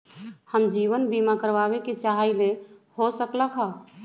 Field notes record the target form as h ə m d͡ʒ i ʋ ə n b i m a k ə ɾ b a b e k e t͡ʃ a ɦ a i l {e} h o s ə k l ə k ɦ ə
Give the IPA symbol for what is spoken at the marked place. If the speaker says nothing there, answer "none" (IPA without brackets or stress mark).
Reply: e